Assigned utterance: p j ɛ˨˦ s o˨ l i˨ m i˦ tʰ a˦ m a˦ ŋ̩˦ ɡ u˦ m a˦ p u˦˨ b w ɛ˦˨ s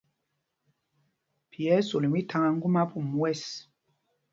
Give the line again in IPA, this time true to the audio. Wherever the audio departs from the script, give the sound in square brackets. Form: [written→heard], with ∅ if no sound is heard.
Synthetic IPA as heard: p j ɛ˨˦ s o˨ l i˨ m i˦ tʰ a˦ [m→ŋ] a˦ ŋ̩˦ ɡ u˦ m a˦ p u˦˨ [b→m] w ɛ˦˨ s

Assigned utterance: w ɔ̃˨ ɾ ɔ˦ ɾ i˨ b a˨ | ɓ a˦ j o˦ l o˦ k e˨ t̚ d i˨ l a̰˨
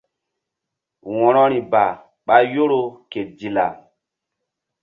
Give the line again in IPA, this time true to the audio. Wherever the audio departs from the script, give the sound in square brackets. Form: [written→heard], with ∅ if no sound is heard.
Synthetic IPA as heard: w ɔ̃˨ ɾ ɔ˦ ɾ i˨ b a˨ | ɓ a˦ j o˦ [l→ɾ] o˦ k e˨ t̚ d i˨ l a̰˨

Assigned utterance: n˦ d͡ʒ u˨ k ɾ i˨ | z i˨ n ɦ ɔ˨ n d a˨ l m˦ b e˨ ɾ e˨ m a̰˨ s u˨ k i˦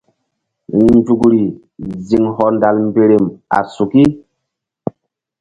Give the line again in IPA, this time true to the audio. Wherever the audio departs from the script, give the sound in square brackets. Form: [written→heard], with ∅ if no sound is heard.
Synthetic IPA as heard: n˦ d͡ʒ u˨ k ɾ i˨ | z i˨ [n→ŋ] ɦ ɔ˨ n d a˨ l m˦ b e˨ ɾ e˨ m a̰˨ s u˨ k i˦

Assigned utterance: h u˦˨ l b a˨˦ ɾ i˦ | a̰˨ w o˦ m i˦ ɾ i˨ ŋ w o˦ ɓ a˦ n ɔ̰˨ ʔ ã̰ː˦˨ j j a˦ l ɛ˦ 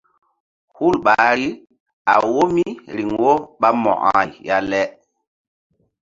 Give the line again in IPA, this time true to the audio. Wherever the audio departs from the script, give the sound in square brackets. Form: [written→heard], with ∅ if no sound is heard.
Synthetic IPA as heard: h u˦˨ l [b→ɓ] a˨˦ ɾ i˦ | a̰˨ w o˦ m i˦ ɾ i˨ ŋ w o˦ ɓ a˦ [n→m] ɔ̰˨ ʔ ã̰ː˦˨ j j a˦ l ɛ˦

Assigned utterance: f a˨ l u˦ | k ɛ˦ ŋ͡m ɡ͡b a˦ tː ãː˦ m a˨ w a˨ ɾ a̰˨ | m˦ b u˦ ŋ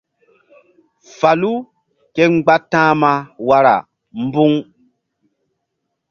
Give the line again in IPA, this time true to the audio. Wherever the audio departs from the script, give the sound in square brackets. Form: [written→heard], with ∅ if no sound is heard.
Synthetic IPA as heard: f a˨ l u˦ | k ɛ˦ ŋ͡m ɡ͡b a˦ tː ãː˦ m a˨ w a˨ ɾ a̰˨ | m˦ b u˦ ŋ

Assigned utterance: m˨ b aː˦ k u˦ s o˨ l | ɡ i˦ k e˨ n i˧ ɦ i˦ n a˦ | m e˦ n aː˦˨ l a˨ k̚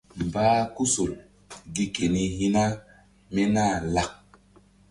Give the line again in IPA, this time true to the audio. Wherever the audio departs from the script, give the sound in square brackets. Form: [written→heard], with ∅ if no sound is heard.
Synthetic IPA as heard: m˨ b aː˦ k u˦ s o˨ l | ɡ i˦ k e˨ n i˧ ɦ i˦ n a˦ | m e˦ n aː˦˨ l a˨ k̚

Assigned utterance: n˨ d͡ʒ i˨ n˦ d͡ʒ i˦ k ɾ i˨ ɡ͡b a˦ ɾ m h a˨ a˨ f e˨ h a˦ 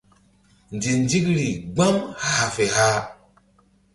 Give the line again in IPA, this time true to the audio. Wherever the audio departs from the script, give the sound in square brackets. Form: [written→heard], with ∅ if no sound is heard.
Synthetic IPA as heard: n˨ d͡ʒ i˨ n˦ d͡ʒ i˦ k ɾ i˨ ɡ͡b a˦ [ɾ→∅] m h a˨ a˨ f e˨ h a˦

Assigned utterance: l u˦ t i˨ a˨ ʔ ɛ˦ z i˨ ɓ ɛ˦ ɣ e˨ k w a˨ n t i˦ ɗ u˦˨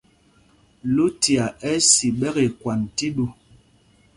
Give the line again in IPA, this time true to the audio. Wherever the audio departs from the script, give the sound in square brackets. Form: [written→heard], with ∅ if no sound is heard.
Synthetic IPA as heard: l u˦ t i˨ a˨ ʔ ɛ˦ [z→s] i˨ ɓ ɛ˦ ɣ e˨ k w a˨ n t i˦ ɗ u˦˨

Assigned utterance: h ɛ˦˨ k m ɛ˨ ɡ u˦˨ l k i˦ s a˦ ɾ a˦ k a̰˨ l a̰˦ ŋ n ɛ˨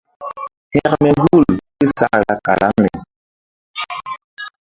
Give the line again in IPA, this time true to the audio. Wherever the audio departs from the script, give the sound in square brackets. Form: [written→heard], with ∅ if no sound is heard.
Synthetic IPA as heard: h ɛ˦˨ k m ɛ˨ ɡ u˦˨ l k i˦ s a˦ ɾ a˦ k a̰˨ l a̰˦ ŋ n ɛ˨

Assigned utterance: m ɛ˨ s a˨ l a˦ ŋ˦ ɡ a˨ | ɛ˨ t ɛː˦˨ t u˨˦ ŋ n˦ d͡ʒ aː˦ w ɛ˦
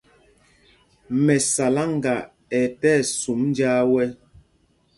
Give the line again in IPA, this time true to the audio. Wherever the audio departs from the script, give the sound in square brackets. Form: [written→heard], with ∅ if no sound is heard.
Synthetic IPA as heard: m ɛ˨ s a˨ l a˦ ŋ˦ ɡ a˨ | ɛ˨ t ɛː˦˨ [t→s] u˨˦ [ŋ→m] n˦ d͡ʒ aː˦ w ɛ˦

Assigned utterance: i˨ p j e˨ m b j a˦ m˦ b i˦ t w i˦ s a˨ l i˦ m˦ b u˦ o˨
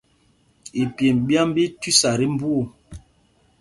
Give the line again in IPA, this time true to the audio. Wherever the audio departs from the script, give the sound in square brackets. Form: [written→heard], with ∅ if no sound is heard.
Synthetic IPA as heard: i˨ p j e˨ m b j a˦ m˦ b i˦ t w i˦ s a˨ [l→ɾ] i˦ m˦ b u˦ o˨

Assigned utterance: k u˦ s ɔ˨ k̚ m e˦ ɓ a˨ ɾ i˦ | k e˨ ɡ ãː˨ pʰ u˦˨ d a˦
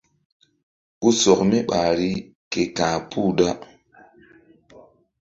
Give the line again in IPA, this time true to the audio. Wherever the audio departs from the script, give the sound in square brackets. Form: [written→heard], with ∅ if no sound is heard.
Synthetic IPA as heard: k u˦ s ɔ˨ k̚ m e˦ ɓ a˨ ɾ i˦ | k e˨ [ɡ→k] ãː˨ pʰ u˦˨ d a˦

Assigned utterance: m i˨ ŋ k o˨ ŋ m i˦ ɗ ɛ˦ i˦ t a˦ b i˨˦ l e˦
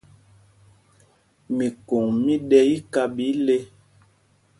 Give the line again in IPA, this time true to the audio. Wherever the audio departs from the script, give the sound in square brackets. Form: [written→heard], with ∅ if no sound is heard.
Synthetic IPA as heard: m i˨ [ŋ→∅] k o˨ ŋ m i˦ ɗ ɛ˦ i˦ [t→k] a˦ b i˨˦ l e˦

